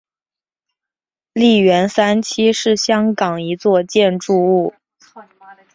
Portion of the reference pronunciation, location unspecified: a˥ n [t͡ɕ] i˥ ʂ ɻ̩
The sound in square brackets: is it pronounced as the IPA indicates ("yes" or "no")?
no